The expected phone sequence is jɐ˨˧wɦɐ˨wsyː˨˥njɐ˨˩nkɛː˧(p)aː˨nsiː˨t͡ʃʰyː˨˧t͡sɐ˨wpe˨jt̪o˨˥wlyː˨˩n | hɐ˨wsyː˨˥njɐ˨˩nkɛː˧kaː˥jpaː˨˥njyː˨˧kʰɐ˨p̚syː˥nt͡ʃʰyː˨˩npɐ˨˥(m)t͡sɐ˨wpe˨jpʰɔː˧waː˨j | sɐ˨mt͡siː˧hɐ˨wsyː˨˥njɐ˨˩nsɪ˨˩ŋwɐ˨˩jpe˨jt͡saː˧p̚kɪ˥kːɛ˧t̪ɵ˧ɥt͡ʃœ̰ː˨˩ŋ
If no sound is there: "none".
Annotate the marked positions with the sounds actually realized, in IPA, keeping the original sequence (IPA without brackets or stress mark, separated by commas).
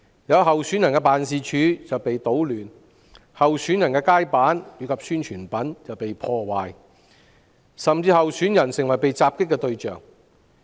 p, n